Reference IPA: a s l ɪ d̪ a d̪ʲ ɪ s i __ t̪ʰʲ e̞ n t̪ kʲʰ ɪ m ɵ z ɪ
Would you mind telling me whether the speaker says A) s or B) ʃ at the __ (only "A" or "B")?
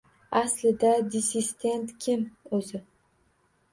A